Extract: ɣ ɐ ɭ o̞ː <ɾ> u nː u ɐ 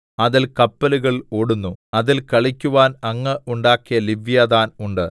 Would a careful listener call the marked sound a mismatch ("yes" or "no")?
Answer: yes